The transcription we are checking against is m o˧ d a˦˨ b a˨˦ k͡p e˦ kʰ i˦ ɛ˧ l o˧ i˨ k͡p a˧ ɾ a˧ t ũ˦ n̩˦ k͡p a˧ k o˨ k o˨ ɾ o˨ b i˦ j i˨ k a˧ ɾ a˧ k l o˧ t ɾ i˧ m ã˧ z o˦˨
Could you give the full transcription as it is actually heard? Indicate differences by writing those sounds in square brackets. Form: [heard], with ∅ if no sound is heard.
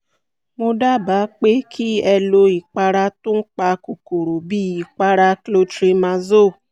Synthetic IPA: m o˧ d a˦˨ b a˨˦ k͡p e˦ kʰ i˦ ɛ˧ l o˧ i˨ k͡p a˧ ɾ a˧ t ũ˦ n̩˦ k͡p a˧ k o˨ k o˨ ɾ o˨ b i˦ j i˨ [k͡p] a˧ ɾ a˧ k l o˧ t ɾ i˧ m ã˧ z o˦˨